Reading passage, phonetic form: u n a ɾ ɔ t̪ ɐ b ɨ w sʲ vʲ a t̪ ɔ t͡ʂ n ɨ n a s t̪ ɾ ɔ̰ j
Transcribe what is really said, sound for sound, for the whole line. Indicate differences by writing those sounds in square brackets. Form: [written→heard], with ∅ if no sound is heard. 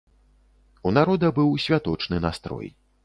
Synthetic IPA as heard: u n a ɾ ɔ [t̪→d̪] ɐ b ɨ w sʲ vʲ a t̪ ɔ t͡ʂ n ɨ n a s t̪ ɾ ɔ̰ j